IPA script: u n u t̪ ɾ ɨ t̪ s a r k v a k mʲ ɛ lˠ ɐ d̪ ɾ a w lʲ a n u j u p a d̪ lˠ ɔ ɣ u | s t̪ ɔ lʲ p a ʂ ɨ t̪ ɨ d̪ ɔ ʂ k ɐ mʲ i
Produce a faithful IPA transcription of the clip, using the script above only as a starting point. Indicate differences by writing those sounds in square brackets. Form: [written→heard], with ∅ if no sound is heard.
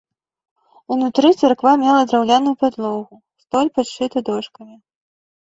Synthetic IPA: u n u t̪ ɾ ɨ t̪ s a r k v a [k→∅] mʲ ɛ lˠ ɐ d̪ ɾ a w lʲ a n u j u p a d̪ lˠ ɔ ɣ u | s t̪ ɔ lʲ p a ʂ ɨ t̪ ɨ d̪ ɔ ʂ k ɐ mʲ i